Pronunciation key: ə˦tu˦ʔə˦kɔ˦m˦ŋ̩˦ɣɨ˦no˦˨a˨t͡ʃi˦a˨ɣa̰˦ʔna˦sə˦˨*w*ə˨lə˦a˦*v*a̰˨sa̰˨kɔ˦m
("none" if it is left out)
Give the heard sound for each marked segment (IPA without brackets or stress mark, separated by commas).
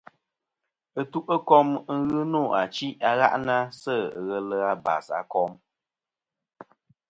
ɣ, b